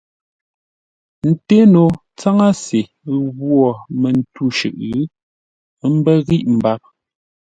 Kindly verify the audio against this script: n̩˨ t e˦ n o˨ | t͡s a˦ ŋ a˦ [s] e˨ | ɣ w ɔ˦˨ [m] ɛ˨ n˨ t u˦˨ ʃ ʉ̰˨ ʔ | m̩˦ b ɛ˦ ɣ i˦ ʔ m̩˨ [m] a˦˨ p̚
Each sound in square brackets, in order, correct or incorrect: correct, correct, incorrect: b

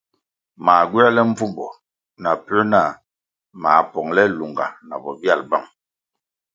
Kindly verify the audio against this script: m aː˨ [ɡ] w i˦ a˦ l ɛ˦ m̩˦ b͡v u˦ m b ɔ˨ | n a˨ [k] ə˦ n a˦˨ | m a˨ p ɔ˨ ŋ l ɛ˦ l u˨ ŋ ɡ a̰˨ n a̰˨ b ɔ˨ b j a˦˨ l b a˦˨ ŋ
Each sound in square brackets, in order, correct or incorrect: correct, incorrect: p

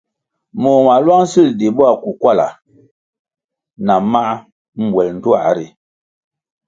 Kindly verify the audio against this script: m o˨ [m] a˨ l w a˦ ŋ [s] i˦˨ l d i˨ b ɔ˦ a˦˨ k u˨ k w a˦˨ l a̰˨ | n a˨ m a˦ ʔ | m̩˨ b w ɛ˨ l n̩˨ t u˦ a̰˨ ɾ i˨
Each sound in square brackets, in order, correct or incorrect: correct, correct

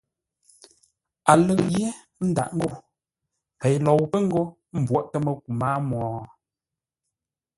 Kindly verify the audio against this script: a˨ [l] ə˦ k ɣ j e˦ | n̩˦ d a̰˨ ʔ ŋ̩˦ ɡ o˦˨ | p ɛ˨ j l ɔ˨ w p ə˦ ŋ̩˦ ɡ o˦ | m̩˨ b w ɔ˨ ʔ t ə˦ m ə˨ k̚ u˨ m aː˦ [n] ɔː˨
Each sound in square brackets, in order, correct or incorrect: correct, incorrect: m

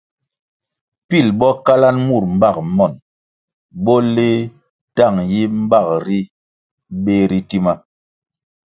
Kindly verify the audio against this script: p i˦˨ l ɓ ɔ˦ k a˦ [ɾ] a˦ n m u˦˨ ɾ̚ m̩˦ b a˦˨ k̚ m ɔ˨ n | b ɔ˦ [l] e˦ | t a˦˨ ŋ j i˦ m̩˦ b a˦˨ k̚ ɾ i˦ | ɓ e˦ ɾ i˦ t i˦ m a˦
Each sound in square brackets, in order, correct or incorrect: incorrect: l, correct

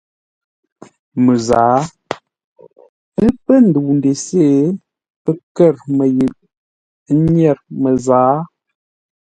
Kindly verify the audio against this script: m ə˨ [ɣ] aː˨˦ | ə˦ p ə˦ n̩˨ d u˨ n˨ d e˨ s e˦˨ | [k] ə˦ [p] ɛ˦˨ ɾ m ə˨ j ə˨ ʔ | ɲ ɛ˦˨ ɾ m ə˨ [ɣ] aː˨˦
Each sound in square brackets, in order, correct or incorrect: incorrect: z, incorrect: p, incorrect: k, incorrect: z

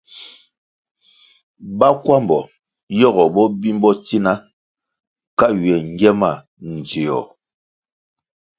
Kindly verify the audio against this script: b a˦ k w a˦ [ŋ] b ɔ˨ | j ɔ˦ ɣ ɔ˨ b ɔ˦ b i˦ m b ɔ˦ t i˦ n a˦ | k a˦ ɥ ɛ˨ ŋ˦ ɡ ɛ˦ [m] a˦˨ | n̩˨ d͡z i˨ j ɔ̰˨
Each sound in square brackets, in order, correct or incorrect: incorrect: m, correct

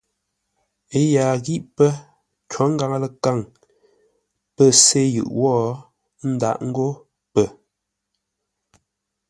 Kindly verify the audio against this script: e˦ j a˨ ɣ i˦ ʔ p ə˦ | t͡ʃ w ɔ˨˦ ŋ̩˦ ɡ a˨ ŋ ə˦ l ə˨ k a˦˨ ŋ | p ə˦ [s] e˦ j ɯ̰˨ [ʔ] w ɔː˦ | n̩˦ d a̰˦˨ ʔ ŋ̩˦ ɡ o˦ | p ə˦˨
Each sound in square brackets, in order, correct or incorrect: correct, correct

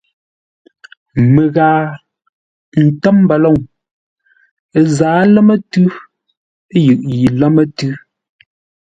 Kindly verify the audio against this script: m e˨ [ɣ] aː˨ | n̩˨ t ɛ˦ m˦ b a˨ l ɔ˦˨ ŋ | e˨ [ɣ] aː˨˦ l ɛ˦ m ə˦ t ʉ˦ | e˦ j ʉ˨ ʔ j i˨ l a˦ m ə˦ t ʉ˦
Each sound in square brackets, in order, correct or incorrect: correct, incorrect: z

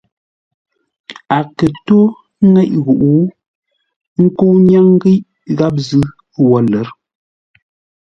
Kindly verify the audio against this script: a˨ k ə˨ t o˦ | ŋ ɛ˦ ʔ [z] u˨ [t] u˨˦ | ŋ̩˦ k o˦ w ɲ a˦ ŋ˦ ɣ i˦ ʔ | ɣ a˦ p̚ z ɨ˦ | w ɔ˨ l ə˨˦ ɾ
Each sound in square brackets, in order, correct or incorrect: incorrect: ɣ, incorrect: ʔ

